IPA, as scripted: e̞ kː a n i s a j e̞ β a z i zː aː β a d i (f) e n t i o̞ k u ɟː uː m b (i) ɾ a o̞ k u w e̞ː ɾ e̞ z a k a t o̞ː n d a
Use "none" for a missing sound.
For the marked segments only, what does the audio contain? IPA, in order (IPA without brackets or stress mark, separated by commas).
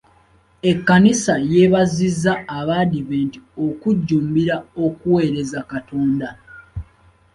v, i